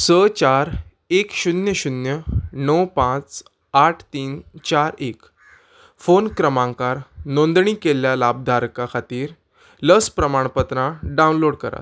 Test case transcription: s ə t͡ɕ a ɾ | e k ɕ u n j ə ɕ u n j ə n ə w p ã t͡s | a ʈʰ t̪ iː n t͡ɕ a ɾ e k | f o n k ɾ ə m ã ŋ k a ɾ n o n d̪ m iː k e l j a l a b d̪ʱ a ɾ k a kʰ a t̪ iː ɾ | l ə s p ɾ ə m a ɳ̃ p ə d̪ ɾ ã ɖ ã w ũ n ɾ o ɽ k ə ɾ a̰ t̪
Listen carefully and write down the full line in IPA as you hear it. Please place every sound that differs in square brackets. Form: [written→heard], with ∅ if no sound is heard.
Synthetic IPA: s ə t͡ɕ a ɾ | e k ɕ u n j ə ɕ u n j ə n ə w p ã t͡s | a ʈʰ t̪ iː n t͡ɕ a ɾ e k | f o n k ɾ ə m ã ŋ k a ɾ n o n d̪ [m→ɳ] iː k e l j a l a b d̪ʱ a ɾ k a kʰ a t̪ iː ɾ | l ə s p ɾ ə m a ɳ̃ p ə [d̪→t̪] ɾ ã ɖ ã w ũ n [ɾ→l] o ɽ k ə ɾ a̰ t̪